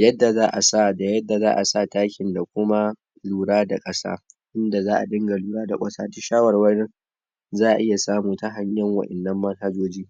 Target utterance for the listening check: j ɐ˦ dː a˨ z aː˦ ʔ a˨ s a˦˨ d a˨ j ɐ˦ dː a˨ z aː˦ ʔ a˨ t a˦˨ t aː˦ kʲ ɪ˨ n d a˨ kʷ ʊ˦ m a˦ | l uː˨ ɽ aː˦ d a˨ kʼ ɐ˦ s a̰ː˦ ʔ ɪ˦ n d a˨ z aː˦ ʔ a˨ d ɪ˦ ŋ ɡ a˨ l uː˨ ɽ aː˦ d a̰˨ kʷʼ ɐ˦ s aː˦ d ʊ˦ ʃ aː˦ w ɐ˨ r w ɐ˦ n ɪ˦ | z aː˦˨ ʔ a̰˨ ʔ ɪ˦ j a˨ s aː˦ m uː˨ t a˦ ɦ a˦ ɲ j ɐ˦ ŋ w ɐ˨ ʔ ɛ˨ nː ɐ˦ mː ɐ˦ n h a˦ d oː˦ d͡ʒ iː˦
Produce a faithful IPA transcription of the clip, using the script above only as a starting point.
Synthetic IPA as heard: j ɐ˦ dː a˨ z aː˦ ʔ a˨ s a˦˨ d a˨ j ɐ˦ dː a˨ z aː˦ ʔ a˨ s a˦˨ t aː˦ kʲ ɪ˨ n d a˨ kʷ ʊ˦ m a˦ | l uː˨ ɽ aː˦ d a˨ kʼ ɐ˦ s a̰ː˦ ʔ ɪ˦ n d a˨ z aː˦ ʔ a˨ d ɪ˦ ŋ ɡ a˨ l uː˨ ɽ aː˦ d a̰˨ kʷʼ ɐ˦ s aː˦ d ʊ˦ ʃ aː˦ w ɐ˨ r w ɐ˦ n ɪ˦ | z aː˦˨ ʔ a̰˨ ʔ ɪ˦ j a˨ s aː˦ m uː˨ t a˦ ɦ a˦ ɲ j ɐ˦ ŋ w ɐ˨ ʔ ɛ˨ nː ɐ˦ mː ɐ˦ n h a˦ d͡ʒ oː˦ d͡ʒ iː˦